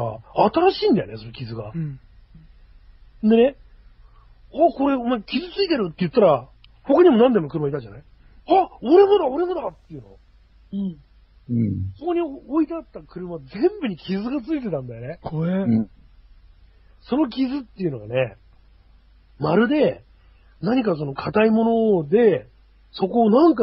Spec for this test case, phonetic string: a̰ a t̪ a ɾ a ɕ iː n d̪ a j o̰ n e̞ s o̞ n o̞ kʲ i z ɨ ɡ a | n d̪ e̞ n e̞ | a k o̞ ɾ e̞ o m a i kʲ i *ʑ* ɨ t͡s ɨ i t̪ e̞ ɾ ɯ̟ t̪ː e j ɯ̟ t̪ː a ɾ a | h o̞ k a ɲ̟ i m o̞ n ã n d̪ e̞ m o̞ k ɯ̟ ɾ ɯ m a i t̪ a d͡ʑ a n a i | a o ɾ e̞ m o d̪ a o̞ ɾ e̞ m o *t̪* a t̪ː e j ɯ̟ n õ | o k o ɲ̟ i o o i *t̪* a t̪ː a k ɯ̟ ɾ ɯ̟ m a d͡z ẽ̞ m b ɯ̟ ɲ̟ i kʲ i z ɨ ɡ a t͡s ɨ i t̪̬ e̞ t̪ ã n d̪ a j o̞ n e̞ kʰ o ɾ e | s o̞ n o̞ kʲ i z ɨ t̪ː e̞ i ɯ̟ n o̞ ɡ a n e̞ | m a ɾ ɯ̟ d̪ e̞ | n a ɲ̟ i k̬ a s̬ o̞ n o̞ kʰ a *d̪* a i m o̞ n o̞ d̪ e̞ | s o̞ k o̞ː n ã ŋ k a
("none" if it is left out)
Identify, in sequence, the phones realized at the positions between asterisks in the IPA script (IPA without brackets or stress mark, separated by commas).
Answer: z, d̪, t̪, t̪